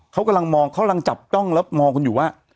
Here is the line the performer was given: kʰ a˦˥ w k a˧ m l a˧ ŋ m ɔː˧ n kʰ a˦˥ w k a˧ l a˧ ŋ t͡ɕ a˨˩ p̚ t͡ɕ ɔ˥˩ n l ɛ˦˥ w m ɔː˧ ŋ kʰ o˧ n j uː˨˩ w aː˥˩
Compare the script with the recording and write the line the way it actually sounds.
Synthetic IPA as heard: kʰ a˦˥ w k a˧ m l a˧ ŋ m ɔː˧ ŋ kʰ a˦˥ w k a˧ l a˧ ŋ t͡ɕ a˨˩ p̚ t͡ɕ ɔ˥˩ ŋ l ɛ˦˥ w m ɔː˧ ŋ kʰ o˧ n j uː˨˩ w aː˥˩